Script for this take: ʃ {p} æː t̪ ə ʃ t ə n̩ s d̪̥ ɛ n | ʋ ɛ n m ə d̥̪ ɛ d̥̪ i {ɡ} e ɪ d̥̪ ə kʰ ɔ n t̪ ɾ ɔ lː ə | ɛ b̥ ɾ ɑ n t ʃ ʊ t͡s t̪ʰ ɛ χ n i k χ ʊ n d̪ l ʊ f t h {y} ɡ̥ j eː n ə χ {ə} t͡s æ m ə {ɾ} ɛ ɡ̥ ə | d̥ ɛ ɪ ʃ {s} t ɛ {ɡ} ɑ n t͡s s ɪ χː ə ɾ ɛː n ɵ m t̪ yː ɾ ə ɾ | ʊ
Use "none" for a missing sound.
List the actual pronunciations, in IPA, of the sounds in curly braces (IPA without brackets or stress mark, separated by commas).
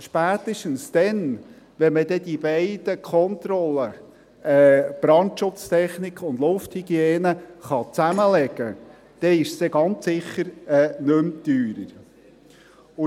p, b, i, ɑ, l, s, ɡ